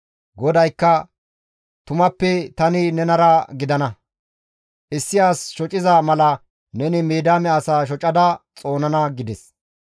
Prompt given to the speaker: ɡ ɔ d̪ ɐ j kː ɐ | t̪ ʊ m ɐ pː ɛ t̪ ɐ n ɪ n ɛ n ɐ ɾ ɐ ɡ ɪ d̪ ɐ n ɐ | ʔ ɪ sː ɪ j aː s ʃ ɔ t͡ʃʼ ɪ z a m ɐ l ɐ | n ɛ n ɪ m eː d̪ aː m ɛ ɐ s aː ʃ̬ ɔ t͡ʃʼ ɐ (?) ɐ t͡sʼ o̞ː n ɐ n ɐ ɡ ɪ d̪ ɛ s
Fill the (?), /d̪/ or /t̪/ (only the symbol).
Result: d̪